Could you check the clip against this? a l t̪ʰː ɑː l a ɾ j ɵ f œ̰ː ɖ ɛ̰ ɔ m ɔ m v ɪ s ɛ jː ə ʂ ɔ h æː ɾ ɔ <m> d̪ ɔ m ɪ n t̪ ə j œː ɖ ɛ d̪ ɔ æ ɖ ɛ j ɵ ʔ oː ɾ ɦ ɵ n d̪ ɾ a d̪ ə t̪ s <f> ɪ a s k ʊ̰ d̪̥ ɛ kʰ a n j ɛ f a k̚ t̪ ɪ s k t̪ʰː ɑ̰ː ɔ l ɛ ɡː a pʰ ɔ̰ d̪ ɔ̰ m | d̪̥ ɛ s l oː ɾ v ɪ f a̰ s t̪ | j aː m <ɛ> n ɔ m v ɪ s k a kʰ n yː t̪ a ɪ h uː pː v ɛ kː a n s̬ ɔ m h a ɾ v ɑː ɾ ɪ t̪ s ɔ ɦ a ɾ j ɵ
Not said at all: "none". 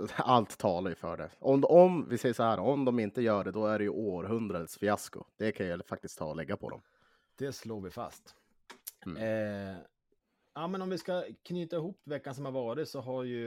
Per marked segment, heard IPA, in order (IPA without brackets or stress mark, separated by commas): m, f, ɛ